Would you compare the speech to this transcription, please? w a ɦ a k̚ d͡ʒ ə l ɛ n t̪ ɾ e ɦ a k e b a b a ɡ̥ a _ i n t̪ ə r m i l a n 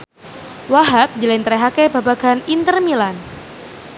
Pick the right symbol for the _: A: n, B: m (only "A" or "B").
A